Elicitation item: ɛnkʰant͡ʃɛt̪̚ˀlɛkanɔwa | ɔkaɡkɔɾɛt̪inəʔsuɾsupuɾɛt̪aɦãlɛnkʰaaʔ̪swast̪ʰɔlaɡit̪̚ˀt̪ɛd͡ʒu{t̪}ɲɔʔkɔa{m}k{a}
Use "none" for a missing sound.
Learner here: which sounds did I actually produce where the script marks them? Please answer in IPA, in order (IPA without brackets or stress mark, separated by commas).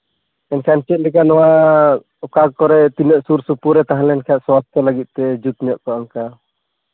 t̪, ŋ, a